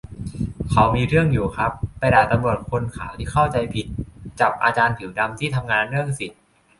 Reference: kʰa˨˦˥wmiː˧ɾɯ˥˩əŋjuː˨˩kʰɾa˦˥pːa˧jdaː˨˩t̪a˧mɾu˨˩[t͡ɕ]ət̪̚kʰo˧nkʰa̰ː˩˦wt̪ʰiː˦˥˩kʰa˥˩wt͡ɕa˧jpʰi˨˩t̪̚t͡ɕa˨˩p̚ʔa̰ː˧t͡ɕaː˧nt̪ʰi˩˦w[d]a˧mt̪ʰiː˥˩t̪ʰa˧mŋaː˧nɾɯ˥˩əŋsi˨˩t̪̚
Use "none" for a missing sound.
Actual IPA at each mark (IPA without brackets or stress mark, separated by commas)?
none, d